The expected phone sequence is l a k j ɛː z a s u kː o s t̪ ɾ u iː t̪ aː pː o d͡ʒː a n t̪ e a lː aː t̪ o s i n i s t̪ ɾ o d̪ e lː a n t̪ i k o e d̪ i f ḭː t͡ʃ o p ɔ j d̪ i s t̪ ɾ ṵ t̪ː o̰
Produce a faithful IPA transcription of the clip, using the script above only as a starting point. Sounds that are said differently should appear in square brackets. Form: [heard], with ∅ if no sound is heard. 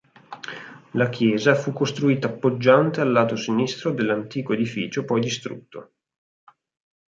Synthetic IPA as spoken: l a k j ɛː z a [f] u kː o s t̪ ɾ u iː t̪ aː pː o d͡ʒː a n t̪ e a lː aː t̪ o s i n i s t̪ ɾ o d̪ e lː a n t̪ [iː] k o e d̪ i f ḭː t͡ʃ o p ɔ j d̪ i s t̪ ɾ ṵ t̪ː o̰

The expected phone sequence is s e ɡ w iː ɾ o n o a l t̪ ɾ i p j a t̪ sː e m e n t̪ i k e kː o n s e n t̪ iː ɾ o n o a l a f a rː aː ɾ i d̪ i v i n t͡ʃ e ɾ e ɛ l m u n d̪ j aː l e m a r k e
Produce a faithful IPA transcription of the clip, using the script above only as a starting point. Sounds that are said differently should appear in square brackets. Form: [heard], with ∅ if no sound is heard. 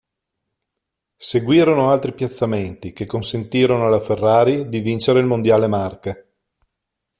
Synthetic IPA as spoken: s e ɡ w iː ɾ o n o a l t̪ ɾ i p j a t̪ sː [a] m e n t̪ i k e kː o n s e n t̪ iː ɾ o n o a l a f [e] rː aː ɾ i d̪ i v i n t͡ʃ e ɾ e [i] l m [o] n d̪ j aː l e m a r k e

